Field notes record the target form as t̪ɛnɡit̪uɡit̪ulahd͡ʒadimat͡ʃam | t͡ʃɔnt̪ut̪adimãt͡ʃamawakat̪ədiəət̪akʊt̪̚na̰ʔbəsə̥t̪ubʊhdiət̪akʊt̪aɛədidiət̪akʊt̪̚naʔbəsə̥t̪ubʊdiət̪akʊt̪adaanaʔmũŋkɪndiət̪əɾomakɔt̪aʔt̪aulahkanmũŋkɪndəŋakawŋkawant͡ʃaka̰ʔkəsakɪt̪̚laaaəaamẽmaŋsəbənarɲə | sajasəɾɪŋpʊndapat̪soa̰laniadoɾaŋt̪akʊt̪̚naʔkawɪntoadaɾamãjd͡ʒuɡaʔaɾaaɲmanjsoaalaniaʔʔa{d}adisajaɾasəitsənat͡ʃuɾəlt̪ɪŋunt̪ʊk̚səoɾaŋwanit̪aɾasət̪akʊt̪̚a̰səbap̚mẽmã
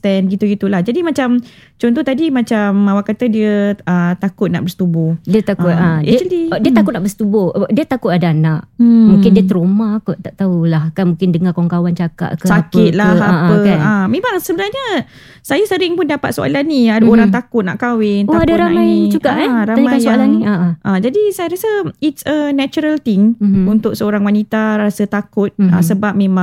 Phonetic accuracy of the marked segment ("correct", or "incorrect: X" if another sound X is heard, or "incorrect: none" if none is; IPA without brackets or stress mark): incorrect: d͡ʒ